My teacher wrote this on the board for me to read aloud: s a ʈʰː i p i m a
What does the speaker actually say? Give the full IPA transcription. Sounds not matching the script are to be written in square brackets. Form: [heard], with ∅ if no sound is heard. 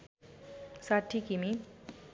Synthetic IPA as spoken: s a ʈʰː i [k] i m [i]